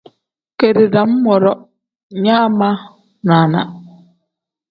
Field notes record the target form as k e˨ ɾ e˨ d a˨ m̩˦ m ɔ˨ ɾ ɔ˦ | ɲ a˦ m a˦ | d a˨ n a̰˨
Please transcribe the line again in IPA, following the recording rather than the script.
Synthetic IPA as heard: k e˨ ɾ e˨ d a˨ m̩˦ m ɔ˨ ɾ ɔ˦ | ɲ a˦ m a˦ | n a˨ n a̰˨